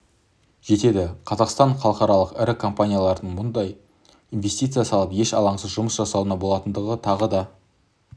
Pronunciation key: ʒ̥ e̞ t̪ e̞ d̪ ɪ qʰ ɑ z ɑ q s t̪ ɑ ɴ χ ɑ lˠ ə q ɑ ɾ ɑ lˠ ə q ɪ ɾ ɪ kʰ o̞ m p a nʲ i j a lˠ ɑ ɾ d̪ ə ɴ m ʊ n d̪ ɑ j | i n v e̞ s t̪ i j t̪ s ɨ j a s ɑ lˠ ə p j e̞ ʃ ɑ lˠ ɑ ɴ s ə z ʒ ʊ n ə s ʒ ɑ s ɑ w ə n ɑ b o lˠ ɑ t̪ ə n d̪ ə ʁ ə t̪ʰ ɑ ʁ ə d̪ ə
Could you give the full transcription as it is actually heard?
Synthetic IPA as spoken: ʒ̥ e̞ t̪ e̞ d̪ ɪ qʰ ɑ z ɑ q s t̪ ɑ ɴ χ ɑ lˠ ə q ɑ ɾ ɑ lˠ ə q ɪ ɾ ɪ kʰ o̞ m p a nʲ i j a lˠ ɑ ɾ d̪ ə ɴ m ʊ n d̪ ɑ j | i n v e̞ s t̪ i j t̪ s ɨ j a s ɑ lˠ ə p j e̞ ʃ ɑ lˠ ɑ ɴ s ə z ʒ ʊ m ə s ʒ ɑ s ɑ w ə n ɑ b o lˠ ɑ t̪ ə n d̪ ə ʁ ə t̪ʰ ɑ ʁ ə d̪ ɑ